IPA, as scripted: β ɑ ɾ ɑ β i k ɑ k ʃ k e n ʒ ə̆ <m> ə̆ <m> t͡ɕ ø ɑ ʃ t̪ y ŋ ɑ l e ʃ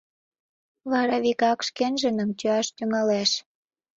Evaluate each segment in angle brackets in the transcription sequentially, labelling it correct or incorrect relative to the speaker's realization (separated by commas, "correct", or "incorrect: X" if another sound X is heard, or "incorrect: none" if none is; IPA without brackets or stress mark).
incorrect: n, correct